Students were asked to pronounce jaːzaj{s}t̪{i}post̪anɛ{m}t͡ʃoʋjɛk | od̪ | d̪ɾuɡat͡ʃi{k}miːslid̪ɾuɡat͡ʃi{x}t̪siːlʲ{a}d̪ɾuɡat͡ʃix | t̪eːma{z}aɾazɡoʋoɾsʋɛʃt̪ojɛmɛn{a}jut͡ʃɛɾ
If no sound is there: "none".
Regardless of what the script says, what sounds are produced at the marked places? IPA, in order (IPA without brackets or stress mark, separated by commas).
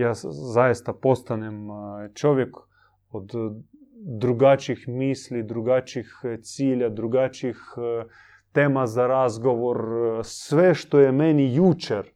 s, a, m, x, x, a, z, i